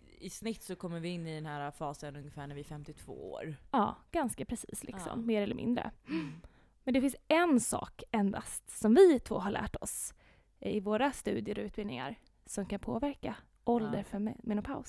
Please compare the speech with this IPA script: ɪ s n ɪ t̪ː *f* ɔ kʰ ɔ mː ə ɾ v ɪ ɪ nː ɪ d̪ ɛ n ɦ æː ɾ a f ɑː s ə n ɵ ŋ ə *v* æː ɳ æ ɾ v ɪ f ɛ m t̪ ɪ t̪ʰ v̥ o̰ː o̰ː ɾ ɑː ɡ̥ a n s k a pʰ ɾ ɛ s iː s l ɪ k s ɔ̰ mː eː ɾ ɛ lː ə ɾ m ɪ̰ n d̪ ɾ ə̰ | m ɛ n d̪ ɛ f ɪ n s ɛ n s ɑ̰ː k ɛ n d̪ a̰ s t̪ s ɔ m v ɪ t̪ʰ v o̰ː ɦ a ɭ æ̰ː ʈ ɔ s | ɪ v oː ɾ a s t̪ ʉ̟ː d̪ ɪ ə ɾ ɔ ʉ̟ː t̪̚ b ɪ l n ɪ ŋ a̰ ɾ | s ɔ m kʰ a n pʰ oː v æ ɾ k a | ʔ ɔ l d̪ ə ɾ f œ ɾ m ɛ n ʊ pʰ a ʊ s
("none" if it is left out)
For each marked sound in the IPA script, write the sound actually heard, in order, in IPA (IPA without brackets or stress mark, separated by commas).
s, f